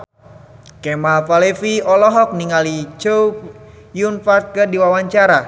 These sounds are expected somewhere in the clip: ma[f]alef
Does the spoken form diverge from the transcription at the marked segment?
no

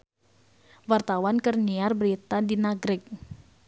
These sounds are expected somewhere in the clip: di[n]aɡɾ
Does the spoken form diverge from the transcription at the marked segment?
no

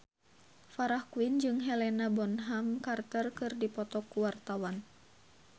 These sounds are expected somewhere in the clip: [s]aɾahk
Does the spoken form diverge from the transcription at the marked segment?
yes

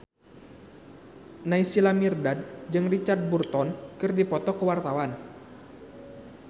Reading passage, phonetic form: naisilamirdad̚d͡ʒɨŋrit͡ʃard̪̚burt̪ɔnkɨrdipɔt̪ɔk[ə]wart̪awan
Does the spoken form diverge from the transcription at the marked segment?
no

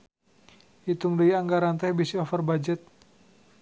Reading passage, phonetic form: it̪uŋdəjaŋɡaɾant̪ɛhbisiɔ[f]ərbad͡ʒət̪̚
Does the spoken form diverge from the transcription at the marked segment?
no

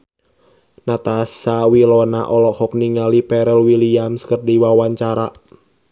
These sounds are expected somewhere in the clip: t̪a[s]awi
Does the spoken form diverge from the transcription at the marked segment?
no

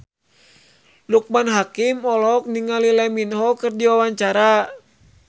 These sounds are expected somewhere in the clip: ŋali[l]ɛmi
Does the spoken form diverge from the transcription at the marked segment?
no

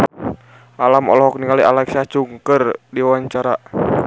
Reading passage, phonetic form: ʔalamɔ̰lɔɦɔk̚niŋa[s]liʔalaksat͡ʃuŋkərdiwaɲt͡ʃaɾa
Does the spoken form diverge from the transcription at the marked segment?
yes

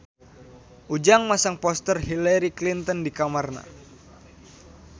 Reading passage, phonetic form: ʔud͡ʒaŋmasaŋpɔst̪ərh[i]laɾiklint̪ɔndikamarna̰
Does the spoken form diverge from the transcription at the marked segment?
no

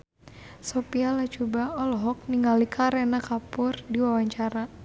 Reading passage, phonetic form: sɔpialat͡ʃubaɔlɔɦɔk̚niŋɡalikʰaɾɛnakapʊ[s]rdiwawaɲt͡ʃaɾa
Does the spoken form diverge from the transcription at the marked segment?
yes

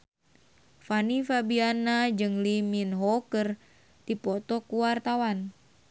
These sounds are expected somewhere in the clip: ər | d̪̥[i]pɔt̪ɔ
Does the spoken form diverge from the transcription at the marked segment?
no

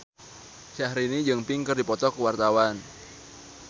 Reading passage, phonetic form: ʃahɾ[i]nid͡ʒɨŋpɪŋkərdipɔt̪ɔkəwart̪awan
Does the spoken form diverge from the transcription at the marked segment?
no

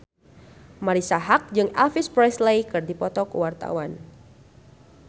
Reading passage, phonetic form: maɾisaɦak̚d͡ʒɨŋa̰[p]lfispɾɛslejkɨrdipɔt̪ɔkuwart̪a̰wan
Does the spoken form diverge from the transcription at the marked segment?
yes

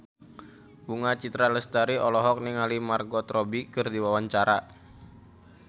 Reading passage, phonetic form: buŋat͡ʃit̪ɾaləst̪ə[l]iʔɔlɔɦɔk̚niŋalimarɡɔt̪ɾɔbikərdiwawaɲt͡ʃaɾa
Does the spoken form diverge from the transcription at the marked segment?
yes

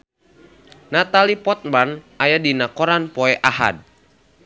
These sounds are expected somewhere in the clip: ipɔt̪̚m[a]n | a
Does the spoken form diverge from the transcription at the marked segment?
no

